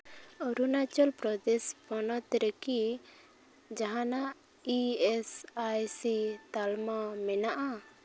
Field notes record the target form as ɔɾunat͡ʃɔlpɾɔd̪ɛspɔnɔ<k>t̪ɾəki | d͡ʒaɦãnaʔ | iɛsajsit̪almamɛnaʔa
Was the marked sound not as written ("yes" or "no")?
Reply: yes